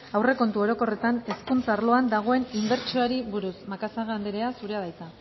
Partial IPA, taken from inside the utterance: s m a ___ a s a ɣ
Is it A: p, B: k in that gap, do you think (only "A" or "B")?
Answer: B